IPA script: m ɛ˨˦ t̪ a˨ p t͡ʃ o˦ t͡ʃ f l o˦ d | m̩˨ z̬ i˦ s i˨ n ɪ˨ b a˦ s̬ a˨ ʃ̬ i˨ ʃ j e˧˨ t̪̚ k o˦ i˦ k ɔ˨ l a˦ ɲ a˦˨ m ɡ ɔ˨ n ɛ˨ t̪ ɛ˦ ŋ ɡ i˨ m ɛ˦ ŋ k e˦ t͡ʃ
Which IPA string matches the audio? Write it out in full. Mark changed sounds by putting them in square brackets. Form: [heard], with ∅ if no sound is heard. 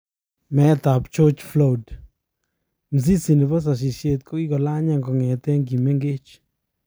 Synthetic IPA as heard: m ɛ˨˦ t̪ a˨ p t͡ʃ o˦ t͡ʃ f l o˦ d | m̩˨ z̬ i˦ s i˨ n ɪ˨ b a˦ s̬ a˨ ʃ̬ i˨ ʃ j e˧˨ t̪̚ k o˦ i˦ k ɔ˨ l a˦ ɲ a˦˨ [ŋ] ɡ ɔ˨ [ŋ] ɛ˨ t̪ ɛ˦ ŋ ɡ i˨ m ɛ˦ ŋ [ɡ] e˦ t͡ʃ